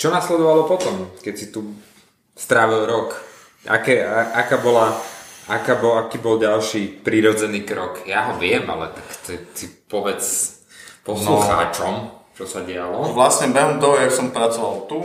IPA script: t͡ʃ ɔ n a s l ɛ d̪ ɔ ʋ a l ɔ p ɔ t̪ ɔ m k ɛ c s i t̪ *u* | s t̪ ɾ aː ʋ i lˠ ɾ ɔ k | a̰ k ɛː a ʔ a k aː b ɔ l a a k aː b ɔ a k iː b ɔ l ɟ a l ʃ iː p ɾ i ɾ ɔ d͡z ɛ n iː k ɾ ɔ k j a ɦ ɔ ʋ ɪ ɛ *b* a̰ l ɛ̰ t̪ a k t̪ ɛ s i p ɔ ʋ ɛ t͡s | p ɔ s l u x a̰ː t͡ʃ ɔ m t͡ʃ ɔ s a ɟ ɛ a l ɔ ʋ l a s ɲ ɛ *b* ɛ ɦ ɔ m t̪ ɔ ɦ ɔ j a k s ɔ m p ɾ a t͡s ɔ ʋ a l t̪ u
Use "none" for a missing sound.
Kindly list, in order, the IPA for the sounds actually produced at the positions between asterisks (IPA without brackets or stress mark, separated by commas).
u, m, b